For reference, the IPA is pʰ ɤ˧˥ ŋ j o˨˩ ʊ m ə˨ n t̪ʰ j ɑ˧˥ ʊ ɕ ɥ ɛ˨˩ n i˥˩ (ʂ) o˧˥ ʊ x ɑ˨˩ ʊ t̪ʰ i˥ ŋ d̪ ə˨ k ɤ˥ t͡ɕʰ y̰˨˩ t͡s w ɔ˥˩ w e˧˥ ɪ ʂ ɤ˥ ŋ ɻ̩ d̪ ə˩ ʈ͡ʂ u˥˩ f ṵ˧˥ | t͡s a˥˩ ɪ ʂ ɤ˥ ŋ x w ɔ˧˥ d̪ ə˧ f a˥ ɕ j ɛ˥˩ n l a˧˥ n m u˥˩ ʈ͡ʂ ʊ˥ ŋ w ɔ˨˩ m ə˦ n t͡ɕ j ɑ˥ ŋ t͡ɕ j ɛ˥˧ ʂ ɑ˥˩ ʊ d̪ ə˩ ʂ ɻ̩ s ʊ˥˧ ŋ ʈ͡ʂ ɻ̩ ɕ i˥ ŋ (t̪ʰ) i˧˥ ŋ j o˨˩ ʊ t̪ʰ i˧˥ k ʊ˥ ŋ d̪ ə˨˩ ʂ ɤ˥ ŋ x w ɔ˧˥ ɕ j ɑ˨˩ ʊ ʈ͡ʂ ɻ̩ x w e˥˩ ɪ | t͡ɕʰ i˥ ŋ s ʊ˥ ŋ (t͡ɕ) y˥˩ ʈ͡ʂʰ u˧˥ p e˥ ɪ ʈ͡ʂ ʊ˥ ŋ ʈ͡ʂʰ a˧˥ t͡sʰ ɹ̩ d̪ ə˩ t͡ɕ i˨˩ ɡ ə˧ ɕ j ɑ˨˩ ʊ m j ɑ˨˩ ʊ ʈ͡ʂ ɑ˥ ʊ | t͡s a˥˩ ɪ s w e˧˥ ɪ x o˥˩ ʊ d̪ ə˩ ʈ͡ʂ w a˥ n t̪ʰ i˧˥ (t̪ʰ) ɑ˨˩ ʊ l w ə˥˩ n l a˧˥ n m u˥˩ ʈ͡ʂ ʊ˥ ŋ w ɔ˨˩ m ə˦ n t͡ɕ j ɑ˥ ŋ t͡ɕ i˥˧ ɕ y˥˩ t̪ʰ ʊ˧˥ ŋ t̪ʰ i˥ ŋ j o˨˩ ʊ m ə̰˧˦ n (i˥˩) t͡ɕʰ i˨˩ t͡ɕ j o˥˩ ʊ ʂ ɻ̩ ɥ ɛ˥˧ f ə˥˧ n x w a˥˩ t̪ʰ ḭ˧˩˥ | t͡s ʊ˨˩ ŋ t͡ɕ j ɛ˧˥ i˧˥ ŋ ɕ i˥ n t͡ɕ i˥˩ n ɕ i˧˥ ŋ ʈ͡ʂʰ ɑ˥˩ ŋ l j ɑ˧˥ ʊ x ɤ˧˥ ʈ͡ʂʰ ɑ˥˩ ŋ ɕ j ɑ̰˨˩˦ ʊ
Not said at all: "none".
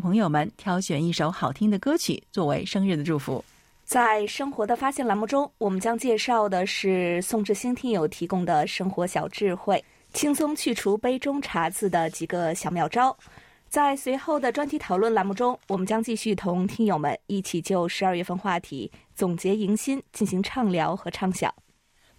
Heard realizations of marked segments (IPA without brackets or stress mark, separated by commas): ʂ, t̪ʰ, t͡ɕʰ, t̪ʰ, i˥˩